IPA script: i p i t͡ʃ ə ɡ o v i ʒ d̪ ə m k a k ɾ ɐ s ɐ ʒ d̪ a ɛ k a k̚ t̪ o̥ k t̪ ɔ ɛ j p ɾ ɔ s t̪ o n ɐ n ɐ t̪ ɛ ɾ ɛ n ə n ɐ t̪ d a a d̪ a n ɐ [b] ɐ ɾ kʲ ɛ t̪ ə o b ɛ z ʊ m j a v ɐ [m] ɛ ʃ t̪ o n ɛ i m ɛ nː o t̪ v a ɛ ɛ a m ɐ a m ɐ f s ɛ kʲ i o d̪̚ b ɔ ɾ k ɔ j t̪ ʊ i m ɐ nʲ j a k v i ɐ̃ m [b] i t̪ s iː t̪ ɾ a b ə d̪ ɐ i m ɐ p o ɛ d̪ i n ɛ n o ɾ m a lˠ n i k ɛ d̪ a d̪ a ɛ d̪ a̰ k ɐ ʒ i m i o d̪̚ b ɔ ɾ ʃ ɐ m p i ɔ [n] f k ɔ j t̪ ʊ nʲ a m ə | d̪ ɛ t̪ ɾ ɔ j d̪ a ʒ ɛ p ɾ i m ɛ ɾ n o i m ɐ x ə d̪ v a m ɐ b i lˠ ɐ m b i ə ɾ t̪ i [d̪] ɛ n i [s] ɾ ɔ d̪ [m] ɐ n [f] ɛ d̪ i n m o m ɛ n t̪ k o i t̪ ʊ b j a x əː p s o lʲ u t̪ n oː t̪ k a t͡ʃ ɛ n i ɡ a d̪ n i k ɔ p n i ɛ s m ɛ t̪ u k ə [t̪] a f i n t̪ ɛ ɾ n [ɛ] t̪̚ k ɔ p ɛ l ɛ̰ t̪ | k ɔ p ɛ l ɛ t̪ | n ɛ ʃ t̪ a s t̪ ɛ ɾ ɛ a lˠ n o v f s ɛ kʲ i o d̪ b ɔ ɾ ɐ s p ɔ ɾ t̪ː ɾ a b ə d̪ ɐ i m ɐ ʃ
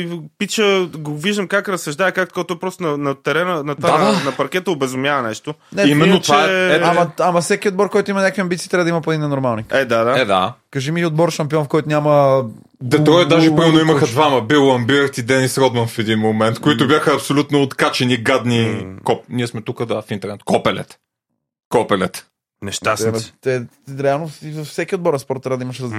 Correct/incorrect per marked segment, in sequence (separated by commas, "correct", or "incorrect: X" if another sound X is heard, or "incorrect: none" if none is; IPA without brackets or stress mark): incorrect: p, incorrect: n, correct, correct, correct, correct, correct, correct, incorrect: d̪, correct